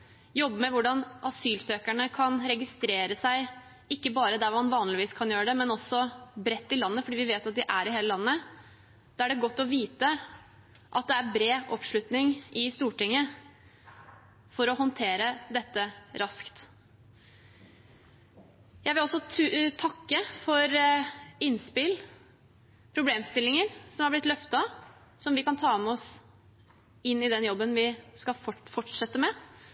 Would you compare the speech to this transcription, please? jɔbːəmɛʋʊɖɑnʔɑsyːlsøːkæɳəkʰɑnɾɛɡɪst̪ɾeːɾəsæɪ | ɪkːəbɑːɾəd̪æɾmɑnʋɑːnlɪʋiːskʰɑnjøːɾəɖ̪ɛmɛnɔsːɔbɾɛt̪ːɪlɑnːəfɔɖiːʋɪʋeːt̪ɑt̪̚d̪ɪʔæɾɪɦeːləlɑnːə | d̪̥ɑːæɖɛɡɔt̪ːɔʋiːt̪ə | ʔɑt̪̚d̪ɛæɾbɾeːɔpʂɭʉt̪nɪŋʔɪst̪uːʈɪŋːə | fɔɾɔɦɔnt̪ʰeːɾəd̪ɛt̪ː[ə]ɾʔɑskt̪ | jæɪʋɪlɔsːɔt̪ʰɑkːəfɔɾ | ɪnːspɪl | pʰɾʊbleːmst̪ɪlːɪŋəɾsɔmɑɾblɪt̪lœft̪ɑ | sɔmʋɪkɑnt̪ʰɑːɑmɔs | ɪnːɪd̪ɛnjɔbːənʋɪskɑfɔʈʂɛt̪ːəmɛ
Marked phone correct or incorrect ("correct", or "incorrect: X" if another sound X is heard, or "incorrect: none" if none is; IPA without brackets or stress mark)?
correct